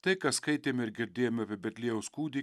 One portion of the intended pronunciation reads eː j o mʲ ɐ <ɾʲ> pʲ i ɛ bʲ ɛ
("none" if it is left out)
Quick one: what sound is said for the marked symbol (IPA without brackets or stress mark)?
none